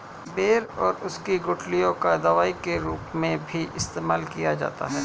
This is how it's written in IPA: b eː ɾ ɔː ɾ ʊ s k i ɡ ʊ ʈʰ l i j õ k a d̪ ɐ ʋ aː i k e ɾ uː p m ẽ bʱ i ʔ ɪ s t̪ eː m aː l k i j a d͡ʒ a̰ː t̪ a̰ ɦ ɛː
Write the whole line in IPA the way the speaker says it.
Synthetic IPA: b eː ɾ ɔː ɾ ʊ s k i ɡ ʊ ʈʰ l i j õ k a d̪ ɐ ʋ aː i k e ɾ uː p m ẽ bʱ i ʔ ɪ s t̪ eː m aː l k i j a d͡ʒ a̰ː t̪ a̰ ɦ ɛː